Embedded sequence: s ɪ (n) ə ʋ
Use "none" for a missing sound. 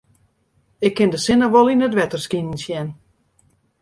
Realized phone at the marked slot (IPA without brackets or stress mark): n